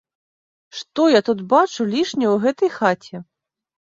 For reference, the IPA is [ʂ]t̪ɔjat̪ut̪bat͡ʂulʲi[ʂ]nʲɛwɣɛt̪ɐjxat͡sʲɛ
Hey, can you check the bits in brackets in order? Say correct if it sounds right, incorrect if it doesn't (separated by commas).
correct, correct